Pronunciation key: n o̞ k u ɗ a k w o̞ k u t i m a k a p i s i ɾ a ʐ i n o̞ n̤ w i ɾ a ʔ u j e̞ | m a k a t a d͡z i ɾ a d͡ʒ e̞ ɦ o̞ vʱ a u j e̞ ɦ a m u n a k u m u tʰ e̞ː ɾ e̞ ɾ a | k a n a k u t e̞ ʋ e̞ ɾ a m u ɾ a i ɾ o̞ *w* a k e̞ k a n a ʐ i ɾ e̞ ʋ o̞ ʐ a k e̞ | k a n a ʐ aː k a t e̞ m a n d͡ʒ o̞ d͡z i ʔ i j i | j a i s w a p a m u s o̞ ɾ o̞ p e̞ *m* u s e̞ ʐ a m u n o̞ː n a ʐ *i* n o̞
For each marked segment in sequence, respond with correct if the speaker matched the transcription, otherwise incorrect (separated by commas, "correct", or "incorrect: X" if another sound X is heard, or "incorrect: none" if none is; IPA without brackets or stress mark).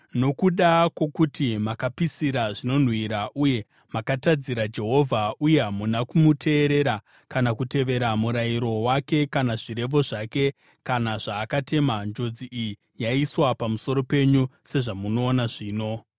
correct, incorrect: ɲ, incorrect: iː